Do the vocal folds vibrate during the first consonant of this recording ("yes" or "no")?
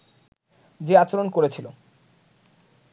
yes